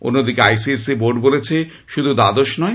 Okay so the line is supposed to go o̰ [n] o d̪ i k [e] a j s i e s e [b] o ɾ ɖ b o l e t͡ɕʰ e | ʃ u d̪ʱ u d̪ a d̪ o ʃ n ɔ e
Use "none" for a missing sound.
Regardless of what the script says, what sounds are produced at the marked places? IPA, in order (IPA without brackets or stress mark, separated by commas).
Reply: nː, e, b